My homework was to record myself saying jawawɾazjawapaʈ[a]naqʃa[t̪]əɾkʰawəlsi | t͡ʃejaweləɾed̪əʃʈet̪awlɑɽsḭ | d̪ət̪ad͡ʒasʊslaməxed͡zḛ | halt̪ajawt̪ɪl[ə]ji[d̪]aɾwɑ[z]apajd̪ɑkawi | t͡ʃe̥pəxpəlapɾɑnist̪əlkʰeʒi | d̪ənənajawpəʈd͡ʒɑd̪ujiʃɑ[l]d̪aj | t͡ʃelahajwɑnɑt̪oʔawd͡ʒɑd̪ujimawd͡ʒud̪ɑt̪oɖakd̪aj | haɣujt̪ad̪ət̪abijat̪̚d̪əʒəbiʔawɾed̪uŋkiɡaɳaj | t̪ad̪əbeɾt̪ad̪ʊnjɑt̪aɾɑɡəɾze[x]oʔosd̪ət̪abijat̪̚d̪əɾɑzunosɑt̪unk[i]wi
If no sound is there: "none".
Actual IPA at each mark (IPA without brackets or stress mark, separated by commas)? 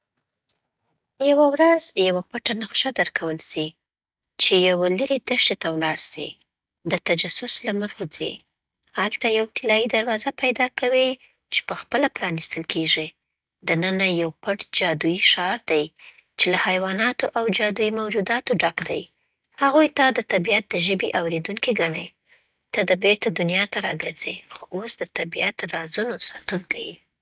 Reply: a, d̪, ɑ, d̪, z, ɾ, x, a